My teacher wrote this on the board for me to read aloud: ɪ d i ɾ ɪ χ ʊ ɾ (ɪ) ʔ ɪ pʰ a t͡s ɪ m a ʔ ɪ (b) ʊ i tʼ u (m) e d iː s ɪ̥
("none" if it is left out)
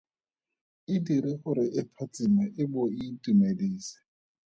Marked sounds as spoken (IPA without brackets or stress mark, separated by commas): ɪ, b, m